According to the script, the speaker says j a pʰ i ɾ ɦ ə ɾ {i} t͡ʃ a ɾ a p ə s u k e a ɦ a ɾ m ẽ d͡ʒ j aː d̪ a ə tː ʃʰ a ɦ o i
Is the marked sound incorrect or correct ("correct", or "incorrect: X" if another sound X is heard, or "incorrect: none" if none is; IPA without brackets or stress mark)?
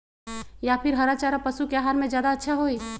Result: incorrect: a